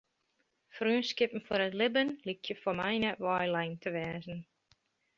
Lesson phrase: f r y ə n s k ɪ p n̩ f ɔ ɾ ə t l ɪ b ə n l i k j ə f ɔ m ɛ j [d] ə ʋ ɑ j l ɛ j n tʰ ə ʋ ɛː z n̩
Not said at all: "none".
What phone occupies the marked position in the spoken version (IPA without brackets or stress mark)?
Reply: n